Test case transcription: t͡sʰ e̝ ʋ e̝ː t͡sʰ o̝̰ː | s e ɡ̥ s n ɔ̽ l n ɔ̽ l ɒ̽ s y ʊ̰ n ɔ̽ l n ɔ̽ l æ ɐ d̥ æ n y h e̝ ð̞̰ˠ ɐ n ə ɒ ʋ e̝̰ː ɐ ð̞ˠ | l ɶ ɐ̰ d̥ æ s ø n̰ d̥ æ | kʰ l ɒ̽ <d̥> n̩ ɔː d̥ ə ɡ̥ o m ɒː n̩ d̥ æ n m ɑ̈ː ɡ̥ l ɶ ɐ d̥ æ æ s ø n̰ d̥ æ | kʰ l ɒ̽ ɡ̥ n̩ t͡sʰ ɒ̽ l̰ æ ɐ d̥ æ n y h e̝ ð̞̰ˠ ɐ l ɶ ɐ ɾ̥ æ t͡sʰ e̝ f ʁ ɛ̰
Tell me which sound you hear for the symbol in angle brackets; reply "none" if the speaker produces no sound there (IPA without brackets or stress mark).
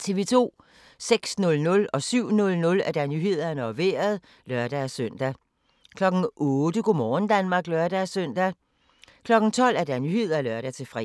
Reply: ɡ̥